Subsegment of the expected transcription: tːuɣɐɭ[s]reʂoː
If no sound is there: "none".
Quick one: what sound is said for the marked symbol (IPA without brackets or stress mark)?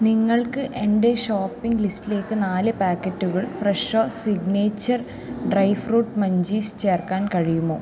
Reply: f